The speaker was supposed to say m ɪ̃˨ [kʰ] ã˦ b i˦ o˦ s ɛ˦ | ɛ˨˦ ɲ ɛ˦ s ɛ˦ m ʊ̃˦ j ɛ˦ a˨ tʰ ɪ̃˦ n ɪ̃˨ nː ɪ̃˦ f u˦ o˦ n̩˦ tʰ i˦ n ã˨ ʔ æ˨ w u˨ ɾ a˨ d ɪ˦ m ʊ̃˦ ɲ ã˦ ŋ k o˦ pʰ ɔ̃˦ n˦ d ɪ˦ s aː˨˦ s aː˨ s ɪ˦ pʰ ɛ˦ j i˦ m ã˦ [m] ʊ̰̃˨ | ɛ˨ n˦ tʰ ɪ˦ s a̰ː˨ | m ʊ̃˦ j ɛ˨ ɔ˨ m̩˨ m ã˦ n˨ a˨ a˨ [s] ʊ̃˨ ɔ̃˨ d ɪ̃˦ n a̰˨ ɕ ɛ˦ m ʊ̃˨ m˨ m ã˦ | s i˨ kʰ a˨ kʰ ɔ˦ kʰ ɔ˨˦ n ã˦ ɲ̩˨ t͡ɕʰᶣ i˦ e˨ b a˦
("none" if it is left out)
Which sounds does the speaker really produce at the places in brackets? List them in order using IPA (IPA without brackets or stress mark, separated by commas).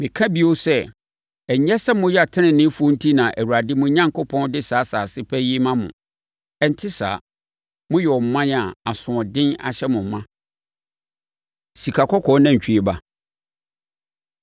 kʰ, m, s